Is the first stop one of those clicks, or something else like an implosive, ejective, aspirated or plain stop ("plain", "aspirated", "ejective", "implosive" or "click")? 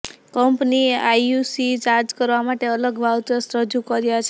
plain